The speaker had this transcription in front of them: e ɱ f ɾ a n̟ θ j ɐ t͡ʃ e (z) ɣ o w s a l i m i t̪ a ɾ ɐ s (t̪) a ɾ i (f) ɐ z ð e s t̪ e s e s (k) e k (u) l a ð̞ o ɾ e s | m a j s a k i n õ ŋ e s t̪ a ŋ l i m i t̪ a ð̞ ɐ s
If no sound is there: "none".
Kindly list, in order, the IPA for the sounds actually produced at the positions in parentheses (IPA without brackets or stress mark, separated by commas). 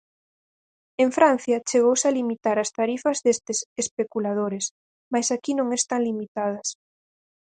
none, t̪, f, p, u